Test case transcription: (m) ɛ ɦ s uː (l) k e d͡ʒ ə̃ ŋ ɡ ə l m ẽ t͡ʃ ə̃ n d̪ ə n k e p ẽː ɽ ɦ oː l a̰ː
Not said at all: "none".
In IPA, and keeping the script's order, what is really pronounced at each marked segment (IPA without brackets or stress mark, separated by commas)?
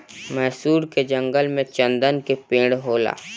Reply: m, ɾ